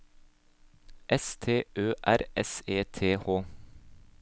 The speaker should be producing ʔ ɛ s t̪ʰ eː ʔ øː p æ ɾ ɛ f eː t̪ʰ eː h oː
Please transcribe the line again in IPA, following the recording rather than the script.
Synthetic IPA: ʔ ɛ s t̪ʰ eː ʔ øː ʔ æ ɾ ɛ s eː t̪ʰ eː h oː